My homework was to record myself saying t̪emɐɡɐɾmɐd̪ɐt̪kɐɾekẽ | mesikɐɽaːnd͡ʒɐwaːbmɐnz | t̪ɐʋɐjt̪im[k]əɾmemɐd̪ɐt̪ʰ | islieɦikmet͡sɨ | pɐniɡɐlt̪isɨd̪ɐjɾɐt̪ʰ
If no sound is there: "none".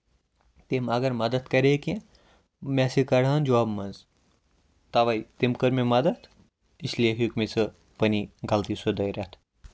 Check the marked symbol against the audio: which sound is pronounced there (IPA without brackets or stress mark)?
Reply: k